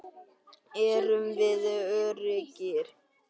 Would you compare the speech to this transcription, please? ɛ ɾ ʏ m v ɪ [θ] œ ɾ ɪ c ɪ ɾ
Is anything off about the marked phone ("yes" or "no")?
yes